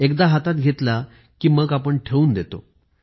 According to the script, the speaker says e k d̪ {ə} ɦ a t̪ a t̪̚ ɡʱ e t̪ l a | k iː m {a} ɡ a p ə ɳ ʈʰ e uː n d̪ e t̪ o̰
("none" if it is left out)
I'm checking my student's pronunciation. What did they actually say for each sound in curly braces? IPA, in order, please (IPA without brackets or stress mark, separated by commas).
a, ə